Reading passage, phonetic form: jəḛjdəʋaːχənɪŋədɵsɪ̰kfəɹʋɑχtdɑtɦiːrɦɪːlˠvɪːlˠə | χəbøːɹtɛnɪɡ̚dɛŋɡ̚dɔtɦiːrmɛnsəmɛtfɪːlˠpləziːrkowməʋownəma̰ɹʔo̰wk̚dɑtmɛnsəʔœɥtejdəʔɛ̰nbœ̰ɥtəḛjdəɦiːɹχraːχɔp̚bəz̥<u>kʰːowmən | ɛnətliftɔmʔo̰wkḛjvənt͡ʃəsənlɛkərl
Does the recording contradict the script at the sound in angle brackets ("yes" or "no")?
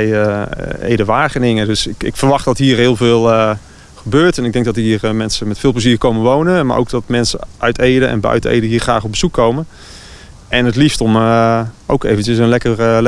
no